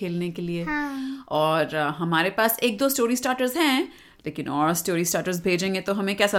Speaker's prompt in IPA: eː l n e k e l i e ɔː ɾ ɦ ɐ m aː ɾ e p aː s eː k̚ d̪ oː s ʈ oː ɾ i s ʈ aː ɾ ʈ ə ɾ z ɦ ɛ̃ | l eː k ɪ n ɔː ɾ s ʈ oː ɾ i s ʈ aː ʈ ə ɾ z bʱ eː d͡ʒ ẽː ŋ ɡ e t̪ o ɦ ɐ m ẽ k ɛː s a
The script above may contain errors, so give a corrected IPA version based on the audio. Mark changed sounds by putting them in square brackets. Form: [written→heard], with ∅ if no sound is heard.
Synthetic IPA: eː l n e k e l i e ɔː ɾ ɦ ɐ m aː ɾ e p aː s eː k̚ d̪ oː s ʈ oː ɾ i s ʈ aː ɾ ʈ ə ɾ z ɦ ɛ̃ | l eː k ɪ n ɔː ɾ s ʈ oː ɾ i s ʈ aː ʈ ə ɾ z bʱ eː d͡ʒ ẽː ŋ ɡ e t̪ o ɦ ɐ m ẽ k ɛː s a